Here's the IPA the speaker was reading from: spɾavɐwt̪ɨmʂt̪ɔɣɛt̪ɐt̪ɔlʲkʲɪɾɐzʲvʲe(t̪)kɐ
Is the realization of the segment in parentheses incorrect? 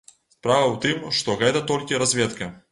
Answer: no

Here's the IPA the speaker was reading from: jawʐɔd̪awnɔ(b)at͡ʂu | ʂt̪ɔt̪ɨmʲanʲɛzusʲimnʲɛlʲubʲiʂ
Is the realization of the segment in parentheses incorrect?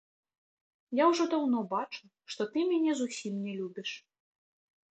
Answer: no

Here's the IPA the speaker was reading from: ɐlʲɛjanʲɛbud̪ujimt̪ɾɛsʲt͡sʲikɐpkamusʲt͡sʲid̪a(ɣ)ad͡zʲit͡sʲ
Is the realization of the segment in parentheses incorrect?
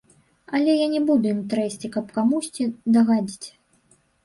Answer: no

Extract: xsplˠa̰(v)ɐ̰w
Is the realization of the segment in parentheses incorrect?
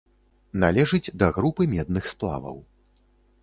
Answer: no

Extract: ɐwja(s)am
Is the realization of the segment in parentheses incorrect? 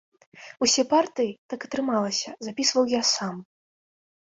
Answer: no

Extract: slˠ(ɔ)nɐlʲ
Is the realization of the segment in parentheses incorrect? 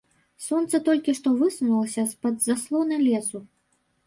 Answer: no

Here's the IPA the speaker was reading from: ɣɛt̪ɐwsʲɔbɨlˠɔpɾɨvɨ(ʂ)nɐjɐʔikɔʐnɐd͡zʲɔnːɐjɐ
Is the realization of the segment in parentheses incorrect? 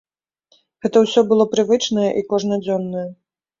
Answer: yes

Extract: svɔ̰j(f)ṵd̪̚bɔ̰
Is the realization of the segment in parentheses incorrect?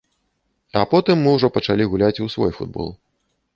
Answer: no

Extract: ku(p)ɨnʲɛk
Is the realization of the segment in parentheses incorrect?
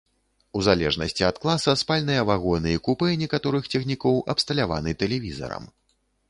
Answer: no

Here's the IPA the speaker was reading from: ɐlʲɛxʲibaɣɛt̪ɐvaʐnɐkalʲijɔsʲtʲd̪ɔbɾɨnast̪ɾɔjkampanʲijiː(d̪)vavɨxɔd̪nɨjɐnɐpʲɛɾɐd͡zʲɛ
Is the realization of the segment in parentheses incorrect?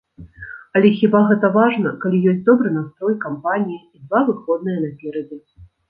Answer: no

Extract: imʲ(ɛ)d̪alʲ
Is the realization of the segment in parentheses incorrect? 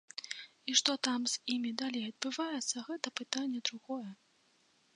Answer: yes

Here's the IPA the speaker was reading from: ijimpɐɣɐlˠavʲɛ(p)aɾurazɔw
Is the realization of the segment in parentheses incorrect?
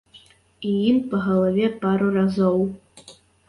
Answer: no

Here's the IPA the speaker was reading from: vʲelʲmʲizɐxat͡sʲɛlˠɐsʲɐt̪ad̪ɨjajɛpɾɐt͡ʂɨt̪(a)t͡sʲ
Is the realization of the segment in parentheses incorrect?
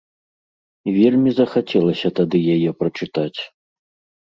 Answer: no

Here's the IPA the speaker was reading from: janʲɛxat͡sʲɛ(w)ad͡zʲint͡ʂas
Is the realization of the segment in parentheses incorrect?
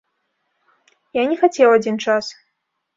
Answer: no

